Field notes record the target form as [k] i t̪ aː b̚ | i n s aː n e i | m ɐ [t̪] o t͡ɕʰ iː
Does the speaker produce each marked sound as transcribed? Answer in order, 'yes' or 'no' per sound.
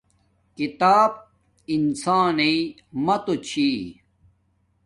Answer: yes, yes

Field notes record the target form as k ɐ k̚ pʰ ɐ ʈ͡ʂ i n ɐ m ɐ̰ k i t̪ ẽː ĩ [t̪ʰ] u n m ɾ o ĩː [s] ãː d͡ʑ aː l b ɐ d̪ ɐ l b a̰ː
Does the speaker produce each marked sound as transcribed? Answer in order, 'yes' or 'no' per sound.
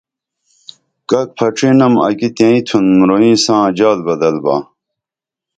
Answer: yes, yes

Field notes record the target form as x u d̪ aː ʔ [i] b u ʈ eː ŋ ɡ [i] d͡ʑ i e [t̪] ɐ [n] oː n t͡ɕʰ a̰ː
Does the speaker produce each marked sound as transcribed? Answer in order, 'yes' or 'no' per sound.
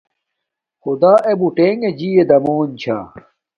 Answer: no, no, no, no

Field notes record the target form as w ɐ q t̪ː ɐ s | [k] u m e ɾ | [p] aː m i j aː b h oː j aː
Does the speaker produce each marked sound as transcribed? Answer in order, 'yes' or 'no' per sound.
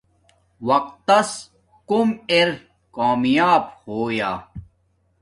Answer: yes, no

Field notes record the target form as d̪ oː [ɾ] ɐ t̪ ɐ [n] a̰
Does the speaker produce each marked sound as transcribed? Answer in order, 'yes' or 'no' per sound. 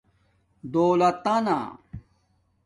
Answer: no, yes

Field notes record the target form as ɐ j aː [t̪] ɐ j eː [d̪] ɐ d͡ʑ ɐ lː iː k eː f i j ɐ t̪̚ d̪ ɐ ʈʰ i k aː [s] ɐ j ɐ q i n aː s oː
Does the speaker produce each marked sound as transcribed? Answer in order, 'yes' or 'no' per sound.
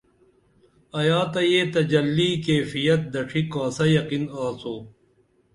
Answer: yes, no, yes

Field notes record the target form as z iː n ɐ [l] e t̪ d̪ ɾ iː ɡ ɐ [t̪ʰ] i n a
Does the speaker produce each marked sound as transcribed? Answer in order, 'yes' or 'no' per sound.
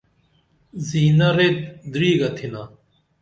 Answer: no, yes

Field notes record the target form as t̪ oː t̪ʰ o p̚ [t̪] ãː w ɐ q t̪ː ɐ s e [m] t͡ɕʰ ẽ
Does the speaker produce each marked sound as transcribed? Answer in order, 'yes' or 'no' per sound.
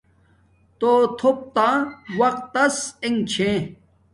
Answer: yes, no

